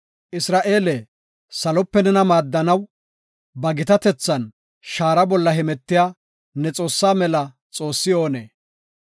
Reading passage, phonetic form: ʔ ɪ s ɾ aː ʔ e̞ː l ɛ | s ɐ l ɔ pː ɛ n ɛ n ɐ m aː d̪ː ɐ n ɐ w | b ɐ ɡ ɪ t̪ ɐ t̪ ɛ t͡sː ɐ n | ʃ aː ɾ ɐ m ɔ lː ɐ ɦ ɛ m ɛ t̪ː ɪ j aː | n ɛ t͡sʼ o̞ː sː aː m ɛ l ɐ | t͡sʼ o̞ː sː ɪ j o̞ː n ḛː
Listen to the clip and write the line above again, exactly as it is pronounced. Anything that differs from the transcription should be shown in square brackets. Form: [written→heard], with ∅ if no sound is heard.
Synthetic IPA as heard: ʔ ɪ s ɾ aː ʔ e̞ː l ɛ | s ɐ l ɔ pː ɛ n ɛ n ɐ m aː d̪ː ɐ n ɐ w | b ɐ ɡ ɪ t̪ ɐ t̪ ɛ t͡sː ɐ n | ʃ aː ɾ ɐ [m→b] ɔ lː ɐ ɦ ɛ m ɛ t̪ː ɪ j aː | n ɛ t͡sʼ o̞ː sː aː m ɛ l ɐ | t͡sʼ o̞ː sː ɪ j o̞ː n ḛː